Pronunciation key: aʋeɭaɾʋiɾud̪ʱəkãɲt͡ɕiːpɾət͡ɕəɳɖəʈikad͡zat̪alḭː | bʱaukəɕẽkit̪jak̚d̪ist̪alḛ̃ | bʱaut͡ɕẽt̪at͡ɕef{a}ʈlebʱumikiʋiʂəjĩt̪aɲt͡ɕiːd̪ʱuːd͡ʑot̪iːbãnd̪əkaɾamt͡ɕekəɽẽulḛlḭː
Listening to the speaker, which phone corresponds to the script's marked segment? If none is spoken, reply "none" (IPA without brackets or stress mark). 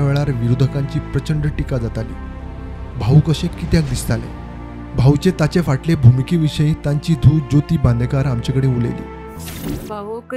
a